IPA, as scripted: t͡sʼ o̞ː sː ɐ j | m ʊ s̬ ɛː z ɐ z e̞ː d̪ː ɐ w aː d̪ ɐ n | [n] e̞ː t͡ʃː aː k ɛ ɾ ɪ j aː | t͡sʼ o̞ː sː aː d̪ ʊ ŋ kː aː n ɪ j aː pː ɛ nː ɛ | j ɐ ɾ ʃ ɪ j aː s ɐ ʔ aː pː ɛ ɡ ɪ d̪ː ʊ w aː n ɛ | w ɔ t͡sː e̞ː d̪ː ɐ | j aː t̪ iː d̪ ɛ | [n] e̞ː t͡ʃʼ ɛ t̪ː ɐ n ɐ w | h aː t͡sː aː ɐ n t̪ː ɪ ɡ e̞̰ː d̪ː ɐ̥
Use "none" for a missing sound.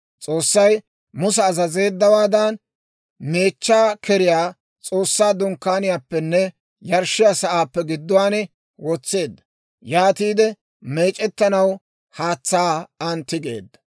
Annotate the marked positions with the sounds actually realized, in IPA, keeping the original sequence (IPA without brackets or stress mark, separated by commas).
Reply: m, m